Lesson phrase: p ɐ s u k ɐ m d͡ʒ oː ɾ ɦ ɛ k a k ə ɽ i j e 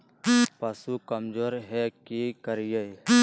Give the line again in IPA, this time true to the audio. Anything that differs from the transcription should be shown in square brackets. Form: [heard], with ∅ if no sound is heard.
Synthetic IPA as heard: p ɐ s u k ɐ m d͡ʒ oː ɾ ɦ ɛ k [i] k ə [ɾ] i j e